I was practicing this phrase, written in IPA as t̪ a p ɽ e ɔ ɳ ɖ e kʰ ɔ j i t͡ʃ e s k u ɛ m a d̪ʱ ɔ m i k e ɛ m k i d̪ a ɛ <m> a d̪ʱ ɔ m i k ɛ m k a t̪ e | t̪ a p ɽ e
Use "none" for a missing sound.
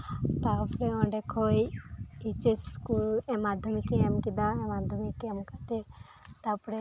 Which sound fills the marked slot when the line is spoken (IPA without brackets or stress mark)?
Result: m